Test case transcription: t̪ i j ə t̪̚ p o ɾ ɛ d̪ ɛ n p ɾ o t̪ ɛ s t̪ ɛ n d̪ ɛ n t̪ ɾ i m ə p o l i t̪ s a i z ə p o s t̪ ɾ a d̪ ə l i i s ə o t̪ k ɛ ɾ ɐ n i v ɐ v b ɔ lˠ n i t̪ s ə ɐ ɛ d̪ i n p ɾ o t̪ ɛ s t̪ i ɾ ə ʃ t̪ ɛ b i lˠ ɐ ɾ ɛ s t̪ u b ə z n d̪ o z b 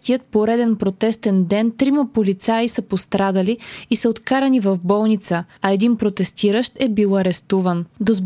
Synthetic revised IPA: t̪ i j ə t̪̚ p o ɾ ɛ d̪ ɛ n p ɾ o t̪ ɛ s t̪ ɛ n d̪ ɛ n t̪ ɾ i m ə p o l i t̪ s a i s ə p o s t̪ ɾ a d̪ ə l i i s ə o t̪ k a ɾ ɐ n i v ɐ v b ɔ lˠ n i t̪ s ə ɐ ɛ d̪ i n p ɾ o t̪ ɛ s t̪ i ɾ ə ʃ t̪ ɛ b i lˠ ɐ ɾ ɛ s t̪ u v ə n d̪ o z b